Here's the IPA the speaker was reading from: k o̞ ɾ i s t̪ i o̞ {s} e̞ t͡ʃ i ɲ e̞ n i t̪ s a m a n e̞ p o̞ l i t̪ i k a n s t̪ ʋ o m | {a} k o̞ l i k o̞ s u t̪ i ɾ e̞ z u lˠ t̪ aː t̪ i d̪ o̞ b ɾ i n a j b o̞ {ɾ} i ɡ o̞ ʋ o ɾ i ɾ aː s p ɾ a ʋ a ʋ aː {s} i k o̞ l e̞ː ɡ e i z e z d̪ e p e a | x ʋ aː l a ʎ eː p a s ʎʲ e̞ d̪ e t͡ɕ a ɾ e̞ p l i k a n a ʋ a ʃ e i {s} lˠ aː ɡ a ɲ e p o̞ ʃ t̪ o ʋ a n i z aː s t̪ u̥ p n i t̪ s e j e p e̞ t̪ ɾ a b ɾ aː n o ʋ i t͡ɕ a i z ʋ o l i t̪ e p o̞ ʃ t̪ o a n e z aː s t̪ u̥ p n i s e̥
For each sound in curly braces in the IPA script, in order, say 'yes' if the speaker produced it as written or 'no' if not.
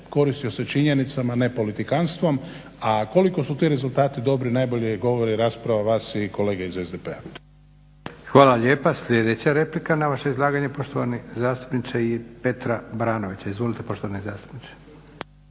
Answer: yes, yes, no, yes, no

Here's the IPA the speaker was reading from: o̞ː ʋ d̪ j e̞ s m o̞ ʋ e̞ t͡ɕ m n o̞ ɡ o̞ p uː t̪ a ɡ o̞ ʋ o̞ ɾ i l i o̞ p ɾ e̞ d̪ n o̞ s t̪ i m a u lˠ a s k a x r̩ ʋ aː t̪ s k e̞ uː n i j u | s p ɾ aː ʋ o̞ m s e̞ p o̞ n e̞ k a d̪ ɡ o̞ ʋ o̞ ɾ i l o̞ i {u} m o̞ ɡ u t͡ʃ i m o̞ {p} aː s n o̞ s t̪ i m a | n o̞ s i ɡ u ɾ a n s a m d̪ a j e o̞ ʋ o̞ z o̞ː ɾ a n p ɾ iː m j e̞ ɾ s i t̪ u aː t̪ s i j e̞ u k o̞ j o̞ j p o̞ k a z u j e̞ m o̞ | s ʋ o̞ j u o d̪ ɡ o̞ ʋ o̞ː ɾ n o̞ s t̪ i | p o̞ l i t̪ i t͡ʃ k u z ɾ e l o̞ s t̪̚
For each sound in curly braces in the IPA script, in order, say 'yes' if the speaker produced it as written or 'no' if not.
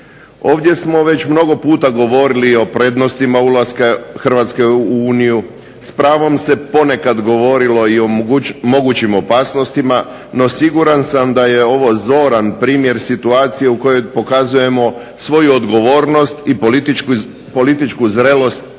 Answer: no, yes

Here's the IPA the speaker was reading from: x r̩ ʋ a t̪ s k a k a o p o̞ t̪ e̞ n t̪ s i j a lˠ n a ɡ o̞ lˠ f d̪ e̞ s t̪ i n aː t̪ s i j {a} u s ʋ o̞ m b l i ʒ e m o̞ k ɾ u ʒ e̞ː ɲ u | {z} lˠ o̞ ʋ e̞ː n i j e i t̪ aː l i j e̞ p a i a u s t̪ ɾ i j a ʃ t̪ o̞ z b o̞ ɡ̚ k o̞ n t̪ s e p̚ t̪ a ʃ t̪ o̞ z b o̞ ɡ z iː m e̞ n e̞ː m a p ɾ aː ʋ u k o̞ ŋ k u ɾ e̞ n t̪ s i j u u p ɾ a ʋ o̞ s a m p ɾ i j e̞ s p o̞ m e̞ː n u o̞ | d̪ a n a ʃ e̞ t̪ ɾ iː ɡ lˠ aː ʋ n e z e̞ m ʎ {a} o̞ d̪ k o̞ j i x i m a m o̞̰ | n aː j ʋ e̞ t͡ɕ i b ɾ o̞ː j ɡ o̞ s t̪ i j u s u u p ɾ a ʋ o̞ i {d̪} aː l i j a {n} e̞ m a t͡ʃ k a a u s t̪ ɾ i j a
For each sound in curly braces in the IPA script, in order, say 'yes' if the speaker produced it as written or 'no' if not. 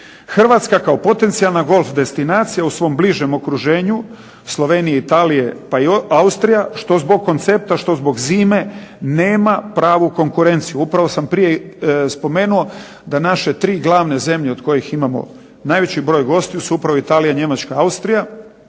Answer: yes, no, no, no, no

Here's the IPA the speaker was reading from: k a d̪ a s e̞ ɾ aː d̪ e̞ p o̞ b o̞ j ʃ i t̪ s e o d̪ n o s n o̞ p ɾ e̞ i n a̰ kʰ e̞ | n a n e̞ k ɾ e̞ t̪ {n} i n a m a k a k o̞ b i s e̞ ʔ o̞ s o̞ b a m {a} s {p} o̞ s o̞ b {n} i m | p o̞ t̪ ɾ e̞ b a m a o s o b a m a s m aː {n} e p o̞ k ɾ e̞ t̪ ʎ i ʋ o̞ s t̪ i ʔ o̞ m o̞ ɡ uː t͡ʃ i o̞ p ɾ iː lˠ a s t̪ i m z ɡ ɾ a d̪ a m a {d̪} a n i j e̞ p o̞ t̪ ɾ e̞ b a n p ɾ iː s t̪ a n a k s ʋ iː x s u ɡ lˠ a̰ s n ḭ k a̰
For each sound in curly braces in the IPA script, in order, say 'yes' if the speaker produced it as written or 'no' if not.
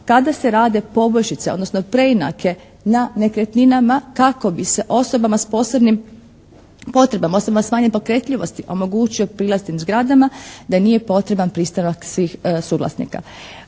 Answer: yes, yes, yes, yes, no, yes

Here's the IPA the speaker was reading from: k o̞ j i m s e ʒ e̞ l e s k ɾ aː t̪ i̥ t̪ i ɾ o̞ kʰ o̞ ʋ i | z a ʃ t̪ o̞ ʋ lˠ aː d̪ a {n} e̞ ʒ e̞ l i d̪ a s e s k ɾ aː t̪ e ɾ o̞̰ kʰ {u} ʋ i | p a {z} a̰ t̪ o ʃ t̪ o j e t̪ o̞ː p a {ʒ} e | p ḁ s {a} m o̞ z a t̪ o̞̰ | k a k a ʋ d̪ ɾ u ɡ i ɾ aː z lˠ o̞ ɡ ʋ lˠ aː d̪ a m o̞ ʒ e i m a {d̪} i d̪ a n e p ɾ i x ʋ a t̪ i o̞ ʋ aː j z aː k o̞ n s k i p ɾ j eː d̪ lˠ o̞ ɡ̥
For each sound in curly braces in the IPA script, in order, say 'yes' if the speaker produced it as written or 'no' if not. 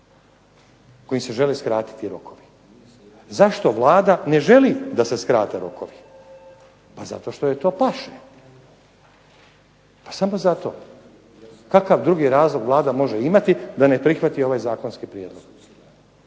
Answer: yes, no, yes, no, yes, no

